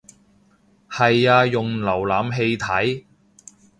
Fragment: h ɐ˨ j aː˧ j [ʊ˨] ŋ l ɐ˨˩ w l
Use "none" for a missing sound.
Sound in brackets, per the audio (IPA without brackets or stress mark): ʊ˨